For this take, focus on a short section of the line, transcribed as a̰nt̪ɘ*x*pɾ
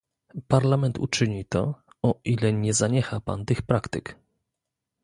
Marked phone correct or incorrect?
correct